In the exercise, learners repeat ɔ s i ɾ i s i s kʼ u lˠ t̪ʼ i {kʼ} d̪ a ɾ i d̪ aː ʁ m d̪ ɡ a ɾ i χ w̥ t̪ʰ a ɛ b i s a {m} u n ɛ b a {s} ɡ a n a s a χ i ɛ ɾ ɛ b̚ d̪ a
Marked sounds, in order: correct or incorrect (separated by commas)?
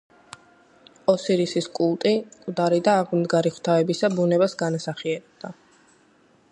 correct, incorrect, correct